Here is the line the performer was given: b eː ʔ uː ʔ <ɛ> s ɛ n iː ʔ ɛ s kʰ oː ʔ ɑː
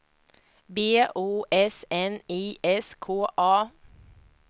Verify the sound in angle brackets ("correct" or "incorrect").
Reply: correct